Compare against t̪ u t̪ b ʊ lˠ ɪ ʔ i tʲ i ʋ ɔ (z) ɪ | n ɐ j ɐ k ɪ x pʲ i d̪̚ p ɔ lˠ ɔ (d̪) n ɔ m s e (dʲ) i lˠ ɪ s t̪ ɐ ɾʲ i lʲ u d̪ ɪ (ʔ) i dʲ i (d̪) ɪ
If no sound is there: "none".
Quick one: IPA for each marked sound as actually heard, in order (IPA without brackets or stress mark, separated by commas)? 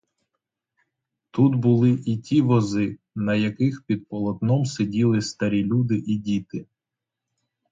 z, t̪, dʲ, ʔ, t̪